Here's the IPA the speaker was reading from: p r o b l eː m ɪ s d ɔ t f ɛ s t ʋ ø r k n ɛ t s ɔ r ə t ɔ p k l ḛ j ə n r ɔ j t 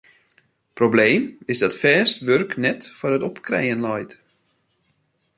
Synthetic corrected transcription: p r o b l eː m ɪ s d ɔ t f ɛː s t ʋ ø r k n ɛ t f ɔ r ə t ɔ p k r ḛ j ə n l ɔ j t